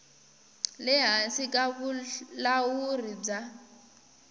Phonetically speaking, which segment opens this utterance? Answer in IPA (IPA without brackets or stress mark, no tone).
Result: l